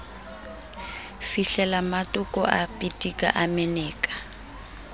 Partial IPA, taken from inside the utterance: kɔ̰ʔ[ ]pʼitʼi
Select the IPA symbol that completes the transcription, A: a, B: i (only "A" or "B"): A